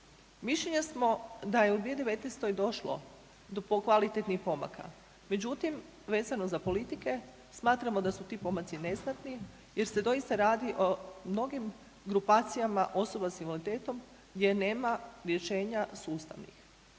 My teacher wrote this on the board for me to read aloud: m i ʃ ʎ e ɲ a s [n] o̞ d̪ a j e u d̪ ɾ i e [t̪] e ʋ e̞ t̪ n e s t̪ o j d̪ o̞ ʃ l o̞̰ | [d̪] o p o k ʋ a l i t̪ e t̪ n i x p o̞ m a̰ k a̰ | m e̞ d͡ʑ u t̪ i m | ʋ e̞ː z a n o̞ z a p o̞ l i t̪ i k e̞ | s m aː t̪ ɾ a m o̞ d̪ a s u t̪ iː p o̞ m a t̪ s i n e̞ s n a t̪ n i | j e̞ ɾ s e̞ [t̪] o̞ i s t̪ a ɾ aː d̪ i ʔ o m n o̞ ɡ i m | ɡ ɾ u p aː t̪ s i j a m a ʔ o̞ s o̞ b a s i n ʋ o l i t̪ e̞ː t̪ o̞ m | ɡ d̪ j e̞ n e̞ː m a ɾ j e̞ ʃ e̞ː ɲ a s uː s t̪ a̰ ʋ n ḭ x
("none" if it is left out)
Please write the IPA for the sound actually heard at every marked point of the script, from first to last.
m, d̪, d̪, d̪

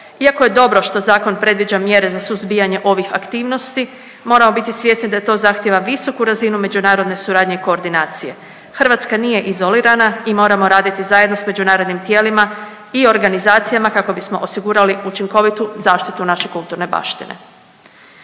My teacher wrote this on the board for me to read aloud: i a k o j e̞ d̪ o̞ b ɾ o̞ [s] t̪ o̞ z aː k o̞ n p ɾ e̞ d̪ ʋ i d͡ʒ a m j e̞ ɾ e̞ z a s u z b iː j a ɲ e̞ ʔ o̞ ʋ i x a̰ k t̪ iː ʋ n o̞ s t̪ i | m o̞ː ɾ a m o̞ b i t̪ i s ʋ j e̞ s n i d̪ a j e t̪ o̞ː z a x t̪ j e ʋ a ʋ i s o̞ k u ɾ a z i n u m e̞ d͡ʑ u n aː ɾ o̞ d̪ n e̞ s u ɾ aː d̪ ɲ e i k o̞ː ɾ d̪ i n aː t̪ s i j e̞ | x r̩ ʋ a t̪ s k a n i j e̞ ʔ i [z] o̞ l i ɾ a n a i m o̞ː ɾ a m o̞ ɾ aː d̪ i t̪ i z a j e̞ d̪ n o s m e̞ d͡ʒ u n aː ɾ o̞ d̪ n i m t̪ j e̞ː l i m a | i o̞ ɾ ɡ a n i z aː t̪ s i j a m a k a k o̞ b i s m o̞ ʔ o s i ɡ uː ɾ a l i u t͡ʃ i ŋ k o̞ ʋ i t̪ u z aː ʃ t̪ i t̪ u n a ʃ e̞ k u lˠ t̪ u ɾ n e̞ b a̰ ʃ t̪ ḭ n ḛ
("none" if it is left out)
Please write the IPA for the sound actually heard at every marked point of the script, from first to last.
ʃ, z

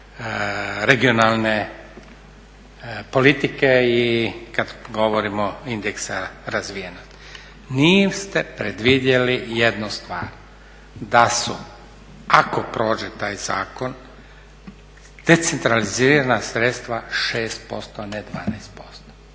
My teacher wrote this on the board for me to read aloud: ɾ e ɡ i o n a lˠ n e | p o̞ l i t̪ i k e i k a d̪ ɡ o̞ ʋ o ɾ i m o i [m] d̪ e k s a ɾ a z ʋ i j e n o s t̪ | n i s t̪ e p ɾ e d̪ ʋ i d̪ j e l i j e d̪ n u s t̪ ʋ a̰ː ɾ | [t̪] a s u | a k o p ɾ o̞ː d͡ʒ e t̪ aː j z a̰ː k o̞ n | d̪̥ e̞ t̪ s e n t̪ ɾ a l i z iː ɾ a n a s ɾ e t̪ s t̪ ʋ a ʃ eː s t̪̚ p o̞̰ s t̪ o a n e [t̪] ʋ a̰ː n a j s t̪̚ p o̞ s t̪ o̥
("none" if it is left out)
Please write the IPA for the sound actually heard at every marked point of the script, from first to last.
n, d̪, d̪

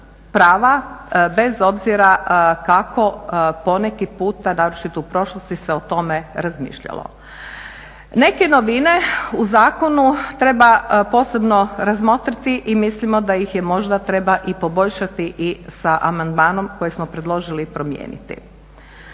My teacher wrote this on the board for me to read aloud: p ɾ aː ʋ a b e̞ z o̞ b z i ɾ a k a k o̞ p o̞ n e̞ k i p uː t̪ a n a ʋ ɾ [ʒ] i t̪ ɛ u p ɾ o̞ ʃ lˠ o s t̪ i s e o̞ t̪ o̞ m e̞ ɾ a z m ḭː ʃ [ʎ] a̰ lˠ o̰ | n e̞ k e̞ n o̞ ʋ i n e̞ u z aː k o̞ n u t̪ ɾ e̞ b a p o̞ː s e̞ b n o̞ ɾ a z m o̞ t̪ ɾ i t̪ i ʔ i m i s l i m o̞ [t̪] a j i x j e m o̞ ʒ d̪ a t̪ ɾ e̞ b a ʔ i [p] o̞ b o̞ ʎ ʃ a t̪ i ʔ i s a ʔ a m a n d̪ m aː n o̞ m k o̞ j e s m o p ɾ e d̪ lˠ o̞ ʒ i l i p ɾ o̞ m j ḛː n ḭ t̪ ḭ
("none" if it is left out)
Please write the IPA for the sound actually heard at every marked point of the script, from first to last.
ʃ, ʎ, d̪, p

